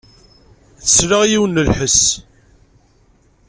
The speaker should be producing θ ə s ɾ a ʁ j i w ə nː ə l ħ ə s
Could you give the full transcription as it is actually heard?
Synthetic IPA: θ ə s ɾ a ʁ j i w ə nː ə l ħ ə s